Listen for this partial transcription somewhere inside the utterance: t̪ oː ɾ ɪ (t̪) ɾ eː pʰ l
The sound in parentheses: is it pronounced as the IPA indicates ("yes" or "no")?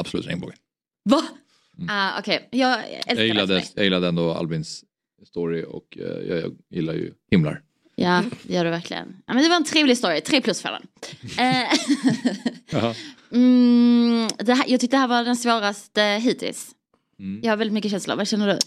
no